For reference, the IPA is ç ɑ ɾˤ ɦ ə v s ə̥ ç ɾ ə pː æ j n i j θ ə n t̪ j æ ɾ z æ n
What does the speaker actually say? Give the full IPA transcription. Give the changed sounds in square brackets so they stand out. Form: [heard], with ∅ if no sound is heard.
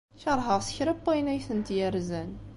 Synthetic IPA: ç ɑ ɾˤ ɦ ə [ʁ] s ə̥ ç ɾ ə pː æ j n [æ] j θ ə n t̪ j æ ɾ z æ n